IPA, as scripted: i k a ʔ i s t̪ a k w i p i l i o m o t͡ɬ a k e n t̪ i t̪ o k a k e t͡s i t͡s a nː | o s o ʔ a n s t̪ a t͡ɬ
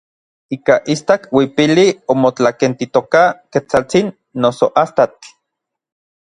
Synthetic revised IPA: i k a ʔ i s t̪ a k w i p i l i o m o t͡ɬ a k e n t̪ i t̪ o k a k e t͡s a t͡s i nː | o s o ʔ a s t̪ a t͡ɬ